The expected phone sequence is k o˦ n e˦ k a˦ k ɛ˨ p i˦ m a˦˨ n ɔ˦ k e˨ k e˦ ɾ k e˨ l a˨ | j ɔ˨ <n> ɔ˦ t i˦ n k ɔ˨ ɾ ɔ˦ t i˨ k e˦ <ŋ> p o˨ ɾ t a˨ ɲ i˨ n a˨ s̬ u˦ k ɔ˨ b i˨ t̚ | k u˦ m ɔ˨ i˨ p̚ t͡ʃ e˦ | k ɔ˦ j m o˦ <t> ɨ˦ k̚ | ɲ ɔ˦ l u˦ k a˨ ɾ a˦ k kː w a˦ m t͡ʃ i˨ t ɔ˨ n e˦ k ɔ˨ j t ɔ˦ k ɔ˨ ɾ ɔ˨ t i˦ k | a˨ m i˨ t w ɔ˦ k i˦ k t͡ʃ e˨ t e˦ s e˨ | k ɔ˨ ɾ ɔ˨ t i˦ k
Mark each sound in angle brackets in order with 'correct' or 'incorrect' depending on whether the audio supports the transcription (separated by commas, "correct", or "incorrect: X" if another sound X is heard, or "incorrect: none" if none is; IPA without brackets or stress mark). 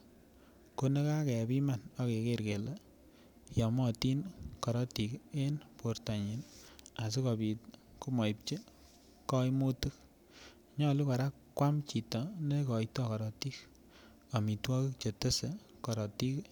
incorrect: m, incorrect: n, correct